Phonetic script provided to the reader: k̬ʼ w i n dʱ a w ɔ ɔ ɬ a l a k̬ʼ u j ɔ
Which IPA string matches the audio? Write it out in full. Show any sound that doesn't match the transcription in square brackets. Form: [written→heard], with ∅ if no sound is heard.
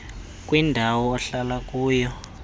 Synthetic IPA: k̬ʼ w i n dʱ a w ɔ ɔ ɬ a l a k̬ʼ [u→uː] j ɔ